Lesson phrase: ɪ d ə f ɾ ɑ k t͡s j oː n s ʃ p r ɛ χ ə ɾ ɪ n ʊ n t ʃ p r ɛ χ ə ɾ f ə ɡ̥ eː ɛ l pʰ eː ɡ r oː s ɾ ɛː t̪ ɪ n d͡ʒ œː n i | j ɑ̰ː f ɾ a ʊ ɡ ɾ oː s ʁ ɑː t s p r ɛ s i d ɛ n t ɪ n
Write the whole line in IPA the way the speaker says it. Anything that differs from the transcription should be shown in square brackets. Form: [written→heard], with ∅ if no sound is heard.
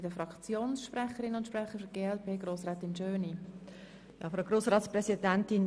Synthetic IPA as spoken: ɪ d ə f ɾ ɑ k t͡s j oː n s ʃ p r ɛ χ ə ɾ ɪ n ʊ n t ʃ p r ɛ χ ə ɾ f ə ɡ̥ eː ɛ l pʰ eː ɡ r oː s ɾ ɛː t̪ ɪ n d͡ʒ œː n i | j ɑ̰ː f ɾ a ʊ ɡ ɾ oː s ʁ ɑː t s p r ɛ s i d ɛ n t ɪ n

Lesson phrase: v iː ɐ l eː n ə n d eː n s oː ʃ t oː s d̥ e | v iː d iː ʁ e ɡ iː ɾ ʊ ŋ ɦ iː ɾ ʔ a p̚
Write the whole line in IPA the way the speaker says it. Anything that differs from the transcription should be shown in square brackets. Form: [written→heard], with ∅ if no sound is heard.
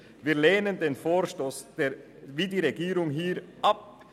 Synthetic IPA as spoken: v iː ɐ l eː n ə n d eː n [s→f] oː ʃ t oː s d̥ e | v iː d iː ʁ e ɡ iː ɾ ʊ ŋ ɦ iː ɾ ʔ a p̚

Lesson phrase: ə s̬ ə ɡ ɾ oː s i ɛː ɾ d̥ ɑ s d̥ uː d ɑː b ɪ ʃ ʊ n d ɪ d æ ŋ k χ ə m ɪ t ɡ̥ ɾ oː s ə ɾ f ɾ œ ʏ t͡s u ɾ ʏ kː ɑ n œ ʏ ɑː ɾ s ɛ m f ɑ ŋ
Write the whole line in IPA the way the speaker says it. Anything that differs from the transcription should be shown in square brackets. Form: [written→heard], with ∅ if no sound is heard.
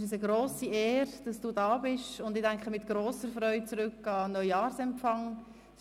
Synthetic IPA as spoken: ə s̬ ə ɡ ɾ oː s i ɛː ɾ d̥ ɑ s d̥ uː d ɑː b ɪ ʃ ʊ n d ɪ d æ ŋ k χ ə m ɪ t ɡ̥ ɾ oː s ə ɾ f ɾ œ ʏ t͡s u ɾ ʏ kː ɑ n œ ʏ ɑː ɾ s ɛ m f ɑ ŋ

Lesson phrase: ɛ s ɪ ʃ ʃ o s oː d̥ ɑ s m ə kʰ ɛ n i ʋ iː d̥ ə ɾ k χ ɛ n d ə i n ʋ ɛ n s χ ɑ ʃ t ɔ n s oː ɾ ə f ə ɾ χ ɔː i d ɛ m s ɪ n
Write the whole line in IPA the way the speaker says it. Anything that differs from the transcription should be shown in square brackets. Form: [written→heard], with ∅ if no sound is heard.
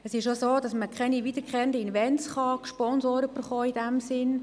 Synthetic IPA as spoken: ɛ s ɪ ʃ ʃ o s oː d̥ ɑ s m ə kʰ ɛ n i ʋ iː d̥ ə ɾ k χ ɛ n d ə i n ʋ ɛ n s χ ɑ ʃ [t→p] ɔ n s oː ɾ ə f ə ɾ χ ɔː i d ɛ m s ɪ n

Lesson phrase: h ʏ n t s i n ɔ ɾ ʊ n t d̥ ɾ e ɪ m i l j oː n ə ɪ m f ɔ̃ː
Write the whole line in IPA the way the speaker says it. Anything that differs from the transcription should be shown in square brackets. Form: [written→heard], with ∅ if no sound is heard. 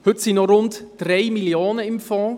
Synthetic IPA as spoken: h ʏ [n→∅] t s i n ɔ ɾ ʊ n t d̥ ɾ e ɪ m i l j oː n ə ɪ m f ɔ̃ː

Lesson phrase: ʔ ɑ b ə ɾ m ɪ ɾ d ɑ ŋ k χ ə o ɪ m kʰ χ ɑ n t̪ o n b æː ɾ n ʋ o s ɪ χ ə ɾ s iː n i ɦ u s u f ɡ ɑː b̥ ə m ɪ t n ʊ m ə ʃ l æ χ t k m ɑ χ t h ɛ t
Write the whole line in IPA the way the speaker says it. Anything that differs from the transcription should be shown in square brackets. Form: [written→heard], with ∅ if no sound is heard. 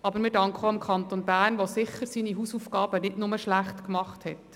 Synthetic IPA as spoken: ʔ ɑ b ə ɾ m ɪ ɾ d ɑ ŋ k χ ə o ɪ m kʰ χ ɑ n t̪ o n b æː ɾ n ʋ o s ɪ χ ə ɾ s iː n i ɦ u s u f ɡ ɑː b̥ ə [m→n] ɪ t n ʊ m ə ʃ l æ χ t k m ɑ χ t h ɛ t

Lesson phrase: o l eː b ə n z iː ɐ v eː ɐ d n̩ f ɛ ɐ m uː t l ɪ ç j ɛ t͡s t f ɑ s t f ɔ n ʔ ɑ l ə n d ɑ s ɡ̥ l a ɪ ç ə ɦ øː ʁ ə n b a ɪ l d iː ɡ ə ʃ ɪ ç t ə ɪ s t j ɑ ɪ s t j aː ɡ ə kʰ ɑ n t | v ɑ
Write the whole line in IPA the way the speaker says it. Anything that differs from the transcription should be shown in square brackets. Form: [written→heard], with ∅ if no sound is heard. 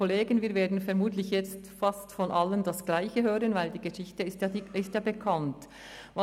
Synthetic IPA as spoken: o l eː [b→ɡ] ə n [z→v] iː ɐ v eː ɐ d n̩ f ɛ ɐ m uː t l ɪ ç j ɛ t͡s t f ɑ s t f ɔ n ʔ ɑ l ə n d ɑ s ɡ̥ l a ɪ ç ə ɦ øː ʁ ə n [b→v] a ɪ l d iː ɡ ə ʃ ɪ ç t ə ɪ s t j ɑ ɪ s t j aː [ɡ→b] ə kʰ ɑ n t | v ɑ

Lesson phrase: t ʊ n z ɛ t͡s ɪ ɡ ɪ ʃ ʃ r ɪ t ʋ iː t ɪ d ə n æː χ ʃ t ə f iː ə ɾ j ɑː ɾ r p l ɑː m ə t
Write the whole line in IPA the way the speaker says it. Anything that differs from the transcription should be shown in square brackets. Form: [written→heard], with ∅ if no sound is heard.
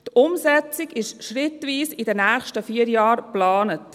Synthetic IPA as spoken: t ʊ [n→m] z ɛ t͡s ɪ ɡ ɪ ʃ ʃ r ɪ t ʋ iː [t→s] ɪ d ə n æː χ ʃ t ə f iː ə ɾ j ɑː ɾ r p l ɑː [m→n] ə t

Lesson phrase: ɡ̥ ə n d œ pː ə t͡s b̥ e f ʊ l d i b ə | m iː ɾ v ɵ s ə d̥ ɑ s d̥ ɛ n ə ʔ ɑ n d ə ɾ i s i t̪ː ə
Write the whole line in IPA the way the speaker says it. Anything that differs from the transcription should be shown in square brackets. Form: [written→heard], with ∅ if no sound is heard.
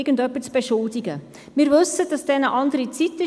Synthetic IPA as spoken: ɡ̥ ə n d œ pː ə t͡s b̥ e [f→ʃ] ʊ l d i [b→ɡ] ə | m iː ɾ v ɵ s ə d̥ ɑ s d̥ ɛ n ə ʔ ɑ n d ə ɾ i [s→t͡s] i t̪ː ə

